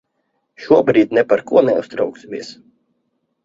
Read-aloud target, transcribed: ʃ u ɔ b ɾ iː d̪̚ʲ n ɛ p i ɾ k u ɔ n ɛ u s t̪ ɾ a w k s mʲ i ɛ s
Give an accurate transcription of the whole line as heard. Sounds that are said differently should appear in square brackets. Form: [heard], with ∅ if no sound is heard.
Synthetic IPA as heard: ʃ u ɔ b ɾ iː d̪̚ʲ n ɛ p [a] ɾ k u ɔ n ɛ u s t̪ ɾ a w k s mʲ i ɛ s